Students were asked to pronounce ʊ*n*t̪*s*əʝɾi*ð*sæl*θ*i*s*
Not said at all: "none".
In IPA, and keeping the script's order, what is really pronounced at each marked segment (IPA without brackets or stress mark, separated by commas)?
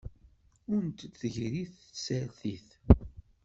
n, θ, θ, θ, θ